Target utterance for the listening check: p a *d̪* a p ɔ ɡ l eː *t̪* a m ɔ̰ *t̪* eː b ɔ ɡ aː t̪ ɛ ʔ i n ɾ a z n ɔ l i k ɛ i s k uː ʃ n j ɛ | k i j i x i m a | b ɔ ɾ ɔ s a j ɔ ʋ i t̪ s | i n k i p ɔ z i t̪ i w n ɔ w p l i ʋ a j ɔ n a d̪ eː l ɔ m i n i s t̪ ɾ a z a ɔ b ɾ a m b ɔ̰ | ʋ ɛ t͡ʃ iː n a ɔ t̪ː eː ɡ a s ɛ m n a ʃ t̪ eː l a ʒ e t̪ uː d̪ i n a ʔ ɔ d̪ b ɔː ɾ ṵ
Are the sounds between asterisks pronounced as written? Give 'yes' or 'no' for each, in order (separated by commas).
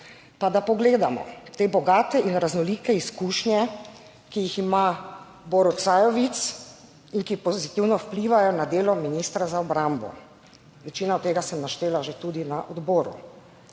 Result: yes, no, yes